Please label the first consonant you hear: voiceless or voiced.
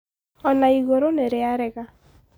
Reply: voiced